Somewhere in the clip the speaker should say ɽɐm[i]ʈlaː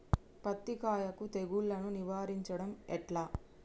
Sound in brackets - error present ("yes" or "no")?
yes